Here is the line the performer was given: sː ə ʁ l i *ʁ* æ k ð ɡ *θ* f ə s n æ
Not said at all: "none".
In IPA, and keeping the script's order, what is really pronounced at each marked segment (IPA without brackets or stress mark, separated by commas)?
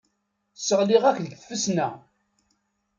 ʁ, θ